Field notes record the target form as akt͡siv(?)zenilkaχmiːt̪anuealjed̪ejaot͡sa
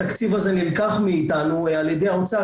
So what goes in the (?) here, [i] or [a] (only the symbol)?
a